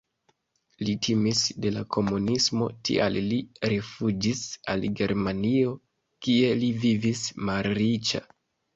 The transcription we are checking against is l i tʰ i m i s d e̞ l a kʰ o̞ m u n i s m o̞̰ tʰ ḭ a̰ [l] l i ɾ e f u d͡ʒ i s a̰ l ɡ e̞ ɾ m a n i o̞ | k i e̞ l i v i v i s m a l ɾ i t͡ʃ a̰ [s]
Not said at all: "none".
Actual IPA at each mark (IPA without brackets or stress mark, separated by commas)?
l, none